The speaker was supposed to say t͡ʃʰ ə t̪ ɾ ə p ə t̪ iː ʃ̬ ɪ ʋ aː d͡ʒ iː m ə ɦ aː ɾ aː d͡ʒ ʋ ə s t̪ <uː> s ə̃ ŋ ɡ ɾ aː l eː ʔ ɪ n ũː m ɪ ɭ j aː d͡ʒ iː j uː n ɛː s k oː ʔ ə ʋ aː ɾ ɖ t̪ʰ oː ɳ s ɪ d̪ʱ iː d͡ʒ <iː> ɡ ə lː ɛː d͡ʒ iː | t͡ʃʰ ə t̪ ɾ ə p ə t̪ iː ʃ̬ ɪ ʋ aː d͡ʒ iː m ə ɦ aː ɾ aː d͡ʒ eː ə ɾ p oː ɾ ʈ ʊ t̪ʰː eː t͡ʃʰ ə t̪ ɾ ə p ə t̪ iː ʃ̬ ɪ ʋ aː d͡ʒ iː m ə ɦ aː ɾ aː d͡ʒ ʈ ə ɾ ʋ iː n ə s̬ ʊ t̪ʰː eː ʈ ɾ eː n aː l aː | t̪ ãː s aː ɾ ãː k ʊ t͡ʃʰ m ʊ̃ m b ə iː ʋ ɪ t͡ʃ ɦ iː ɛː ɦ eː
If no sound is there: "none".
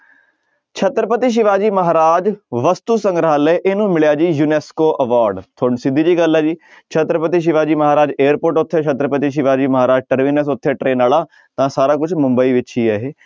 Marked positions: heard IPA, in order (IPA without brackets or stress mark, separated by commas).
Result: uː, iː